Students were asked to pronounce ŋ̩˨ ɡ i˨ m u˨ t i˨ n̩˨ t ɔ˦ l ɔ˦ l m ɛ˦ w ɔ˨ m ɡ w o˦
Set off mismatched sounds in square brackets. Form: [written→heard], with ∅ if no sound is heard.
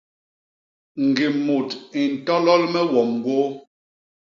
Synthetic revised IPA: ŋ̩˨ ɡ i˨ m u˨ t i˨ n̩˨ t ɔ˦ l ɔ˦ l m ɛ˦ w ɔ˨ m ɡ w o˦